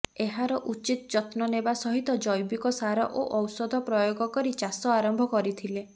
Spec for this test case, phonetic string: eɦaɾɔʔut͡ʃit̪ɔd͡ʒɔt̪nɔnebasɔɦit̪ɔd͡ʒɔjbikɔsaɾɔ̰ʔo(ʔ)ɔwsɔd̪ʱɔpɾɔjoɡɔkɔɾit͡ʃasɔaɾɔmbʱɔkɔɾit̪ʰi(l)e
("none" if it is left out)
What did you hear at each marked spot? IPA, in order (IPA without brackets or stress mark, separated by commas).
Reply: ʔ, l